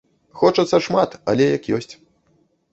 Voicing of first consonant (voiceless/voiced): voiceless